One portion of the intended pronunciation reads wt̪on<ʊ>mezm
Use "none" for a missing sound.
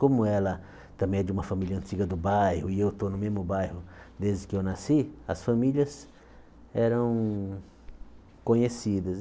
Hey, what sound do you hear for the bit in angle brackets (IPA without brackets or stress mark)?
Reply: ʊ